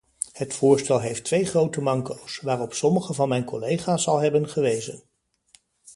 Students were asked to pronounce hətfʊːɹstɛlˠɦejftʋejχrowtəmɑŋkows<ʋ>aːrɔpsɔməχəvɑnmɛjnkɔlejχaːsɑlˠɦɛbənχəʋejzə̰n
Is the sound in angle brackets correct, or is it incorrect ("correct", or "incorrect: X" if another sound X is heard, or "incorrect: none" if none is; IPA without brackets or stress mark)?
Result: correct